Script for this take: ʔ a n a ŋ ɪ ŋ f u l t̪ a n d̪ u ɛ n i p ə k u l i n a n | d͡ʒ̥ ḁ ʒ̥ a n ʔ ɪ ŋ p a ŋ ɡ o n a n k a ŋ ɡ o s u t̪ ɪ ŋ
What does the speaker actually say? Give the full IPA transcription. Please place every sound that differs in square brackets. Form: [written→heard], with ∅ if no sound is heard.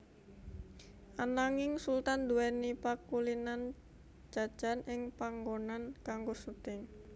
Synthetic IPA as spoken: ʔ a n a ŋ ɪ ŋ [f→s] u l t̪ a n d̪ u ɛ n i p [ə→a] k u l i n a n | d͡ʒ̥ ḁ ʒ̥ a n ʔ ɪ ŋ p a ŋ ɡ o n a n k a ŋ ɡ o s u t̪ ɪ ŋ